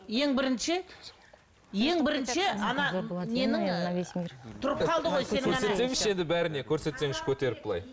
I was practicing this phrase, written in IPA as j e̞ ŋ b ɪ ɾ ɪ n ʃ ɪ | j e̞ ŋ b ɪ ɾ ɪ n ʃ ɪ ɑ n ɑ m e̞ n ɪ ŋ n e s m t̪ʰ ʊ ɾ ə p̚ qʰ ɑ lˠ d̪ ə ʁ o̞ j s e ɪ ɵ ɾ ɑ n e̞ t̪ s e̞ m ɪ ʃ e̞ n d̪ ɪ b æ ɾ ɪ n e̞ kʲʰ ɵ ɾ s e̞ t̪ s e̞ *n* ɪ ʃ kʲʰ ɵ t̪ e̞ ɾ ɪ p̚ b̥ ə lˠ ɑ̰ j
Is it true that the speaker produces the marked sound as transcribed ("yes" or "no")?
no